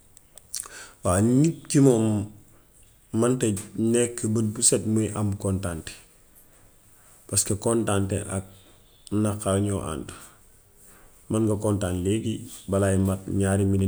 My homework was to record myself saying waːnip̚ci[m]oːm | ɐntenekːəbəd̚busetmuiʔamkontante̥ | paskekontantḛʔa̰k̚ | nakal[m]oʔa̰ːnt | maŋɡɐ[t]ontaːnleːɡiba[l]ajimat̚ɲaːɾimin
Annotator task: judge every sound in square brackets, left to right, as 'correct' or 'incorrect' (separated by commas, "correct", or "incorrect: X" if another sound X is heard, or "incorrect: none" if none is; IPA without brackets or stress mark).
correct, incorrect: ɲ, incorrect: k, correct